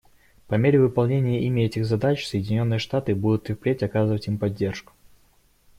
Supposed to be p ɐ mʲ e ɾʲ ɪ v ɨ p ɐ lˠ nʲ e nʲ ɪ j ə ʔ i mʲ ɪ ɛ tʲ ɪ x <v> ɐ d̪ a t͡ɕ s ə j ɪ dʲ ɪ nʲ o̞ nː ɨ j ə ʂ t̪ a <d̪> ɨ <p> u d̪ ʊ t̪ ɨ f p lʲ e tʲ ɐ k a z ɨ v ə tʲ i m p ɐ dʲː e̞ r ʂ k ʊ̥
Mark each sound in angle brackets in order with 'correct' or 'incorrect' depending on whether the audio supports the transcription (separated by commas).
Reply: incorrect, incorrect, incorrect